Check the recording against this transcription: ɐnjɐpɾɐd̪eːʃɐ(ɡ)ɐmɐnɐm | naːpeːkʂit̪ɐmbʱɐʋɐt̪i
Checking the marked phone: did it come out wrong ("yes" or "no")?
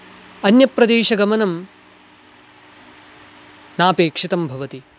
no